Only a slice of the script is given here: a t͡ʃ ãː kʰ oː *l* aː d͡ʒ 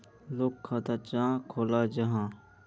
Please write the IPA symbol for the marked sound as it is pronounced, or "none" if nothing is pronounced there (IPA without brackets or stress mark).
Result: l